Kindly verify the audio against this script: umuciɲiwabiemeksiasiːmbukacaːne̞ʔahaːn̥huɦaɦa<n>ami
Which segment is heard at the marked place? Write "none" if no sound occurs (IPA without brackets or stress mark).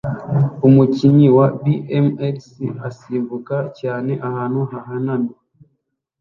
n